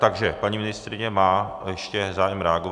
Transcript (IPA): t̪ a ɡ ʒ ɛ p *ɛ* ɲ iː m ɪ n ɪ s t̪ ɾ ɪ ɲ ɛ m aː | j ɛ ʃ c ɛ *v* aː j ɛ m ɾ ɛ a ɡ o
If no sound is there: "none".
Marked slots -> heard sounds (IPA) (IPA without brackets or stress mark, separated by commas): a, z